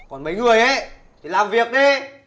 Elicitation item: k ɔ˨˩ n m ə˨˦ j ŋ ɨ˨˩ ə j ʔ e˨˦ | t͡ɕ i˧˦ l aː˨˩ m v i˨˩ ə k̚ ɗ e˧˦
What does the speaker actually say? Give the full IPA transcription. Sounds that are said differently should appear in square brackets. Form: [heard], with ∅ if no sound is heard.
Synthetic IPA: k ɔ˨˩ n m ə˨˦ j ŋ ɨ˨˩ ə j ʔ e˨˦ | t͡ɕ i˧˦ l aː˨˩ m v i˨˩ ə k̚ ɗ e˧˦